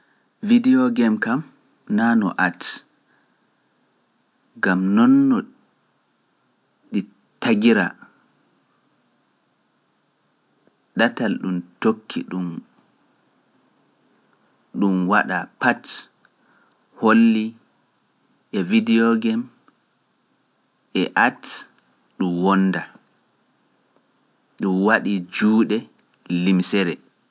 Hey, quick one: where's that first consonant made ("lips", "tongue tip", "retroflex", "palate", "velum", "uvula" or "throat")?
lips